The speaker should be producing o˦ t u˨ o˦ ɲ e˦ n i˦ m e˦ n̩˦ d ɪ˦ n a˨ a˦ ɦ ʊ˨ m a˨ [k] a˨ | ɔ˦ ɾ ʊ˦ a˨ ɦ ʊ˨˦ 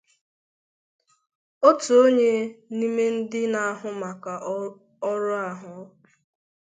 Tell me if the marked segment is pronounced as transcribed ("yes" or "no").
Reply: yes